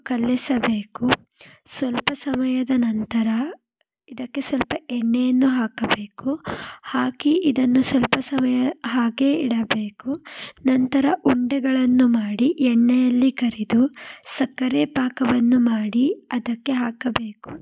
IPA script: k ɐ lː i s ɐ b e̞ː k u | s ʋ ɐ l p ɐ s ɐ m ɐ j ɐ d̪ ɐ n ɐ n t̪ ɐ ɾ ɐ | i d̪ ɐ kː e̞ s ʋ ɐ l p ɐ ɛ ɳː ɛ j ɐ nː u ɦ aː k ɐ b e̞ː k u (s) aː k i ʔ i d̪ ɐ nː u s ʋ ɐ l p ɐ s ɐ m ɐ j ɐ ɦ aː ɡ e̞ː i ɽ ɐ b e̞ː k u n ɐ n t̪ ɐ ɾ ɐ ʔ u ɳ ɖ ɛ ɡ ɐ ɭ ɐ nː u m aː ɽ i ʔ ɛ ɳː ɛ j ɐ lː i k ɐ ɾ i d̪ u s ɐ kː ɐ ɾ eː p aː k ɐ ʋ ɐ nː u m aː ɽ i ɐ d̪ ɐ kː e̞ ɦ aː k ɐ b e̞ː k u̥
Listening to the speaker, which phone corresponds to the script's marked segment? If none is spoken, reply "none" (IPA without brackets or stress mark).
h